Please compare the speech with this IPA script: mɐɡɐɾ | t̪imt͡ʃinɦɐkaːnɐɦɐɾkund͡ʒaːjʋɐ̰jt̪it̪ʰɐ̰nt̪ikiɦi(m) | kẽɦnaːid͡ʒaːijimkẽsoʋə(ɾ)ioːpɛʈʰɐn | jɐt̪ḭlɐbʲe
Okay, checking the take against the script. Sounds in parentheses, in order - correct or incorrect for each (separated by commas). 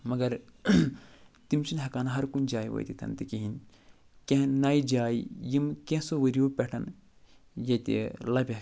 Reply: incorrect, correct